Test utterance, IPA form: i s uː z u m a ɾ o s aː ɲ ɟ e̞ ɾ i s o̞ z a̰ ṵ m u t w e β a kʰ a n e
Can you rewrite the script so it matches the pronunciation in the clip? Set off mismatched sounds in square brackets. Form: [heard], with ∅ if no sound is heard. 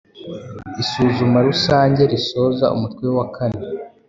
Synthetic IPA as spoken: i s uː z u m a ɾ [u] s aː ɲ ɟ e̞ ɾ i s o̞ z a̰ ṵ m u t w e [w] a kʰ a n e